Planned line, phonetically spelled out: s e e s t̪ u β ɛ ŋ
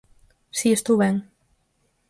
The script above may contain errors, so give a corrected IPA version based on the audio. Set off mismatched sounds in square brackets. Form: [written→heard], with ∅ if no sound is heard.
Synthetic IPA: s [e→i] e s t̪ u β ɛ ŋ